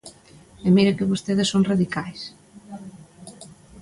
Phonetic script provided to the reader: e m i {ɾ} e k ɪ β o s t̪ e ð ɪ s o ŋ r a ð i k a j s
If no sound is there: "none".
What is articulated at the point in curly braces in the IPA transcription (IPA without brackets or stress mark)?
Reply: ɾ